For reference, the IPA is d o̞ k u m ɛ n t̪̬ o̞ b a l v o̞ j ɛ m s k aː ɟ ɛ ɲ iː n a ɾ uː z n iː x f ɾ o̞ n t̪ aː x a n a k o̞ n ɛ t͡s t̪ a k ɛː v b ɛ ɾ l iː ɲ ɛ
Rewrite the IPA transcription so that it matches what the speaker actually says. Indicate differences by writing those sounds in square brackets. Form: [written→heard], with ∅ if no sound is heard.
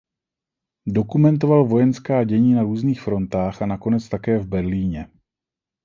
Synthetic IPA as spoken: d o̞ k u m ɛ n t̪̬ o̞ [b→v] a l v o̞ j ɛ [m→n] s k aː ɟ ɛ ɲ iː n a ɾ uː z n iː x f ɾ o̞ n t̪ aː x a n a k o̞ n ɛ t͡s t̪ a k ɛː v b ɛ ɾ l iː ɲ ɛ